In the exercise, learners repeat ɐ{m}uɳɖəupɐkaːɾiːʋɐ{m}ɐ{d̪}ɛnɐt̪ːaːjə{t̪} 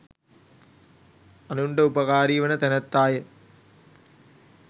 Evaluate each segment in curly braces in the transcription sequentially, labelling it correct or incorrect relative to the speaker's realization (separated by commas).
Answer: incorrect, incorrect, incorrect, incorrect